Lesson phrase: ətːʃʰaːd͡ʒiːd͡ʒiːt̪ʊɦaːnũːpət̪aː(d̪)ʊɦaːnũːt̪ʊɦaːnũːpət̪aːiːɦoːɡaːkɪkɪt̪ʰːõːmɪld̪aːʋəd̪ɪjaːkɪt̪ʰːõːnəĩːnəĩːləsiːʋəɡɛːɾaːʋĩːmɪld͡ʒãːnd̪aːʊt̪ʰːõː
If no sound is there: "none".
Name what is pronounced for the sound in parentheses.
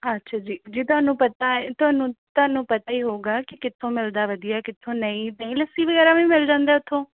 t̪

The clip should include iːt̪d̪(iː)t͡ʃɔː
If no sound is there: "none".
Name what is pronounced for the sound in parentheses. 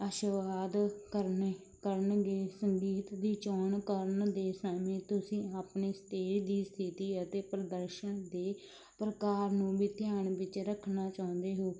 iː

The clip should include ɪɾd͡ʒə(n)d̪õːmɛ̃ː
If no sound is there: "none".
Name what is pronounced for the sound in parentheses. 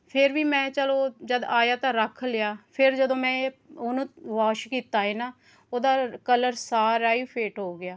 none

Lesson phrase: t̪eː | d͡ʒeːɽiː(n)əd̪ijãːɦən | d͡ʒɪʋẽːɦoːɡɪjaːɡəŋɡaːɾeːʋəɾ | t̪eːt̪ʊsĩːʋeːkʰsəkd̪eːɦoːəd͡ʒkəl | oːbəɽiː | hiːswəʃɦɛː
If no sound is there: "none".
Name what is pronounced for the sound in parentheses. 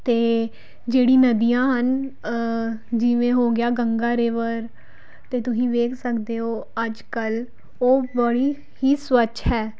n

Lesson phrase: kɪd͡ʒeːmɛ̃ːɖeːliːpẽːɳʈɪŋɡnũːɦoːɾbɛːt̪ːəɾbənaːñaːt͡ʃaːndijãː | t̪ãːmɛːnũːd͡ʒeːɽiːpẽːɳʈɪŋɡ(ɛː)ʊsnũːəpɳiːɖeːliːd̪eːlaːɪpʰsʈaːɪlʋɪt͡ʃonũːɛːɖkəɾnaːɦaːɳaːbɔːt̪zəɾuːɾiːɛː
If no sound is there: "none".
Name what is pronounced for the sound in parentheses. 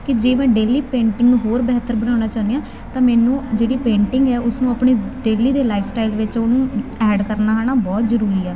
ɛː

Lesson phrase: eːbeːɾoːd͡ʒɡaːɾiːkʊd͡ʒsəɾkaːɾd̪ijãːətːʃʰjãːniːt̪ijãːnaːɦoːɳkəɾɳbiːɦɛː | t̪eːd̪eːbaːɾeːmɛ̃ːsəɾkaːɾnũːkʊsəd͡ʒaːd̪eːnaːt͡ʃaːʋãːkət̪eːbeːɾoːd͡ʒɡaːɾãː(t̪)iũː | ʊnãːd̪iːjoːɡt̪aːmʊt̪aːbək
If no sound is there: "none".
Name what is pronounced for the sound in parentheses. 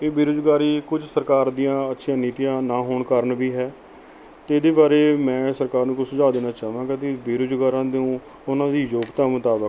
d̪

